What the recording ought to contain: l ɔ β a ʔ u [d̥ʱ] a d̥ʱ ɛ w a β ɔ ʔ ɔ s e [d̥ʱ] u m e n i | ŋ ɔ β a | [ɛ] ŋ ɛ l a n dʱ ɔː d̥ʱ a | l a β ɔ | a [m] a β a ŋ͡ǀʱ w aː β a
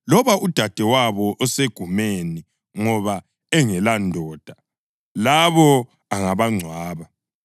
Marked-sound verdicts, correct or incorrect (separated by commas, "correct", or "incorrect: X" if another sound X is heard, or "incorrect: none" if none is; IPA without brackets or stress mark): correct, incorrect: ɡ̥ʱ, correct, incorrect: ŋ